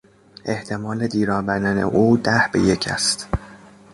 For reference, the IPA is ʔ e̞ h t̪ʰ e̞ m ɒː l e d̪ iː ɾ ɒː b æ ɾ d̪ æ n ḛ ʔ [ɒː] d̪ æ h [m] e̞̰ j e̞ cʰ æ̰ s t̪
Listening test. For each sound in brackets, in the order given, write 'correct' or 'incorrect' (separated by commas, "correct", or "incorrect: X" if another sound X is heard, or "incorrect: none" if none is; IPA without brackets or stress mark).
incorrect: uː, incorrect: b